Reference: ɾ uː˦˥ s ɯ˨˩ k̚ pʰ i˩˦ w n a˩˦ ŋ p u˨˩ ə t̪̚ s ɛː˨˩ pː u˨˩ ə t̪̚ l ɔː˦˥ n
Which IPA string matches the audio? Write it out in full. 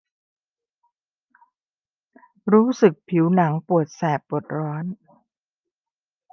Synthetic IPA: ɾ uː˦˥ s ɯ˨˩ k̚ pʰ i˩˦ w n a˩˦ ŋ p u˨˩ ə t̪̚ s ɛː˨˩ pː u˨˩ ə t̪̚ ɾ ɔː˦˥ n